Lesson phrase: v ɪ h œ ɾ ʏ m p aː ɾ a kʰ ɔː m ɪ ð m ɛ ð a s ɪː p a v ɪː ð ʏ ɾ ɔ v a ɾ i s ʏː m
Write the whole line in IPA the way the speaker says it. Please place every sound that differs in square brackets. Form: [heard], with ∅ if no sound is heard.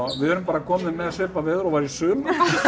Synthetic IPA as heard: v ɪ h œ ɾ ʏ m p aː ɾ a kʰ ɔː m ɪ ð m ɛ ð a s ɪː p a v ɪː ð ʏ ɾ ɔ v a ɾ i s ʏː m